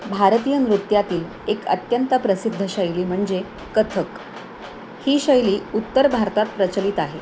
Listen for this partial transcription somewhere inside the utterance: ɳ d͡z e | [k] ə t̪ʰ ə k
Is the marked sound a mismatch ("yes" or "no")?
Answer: no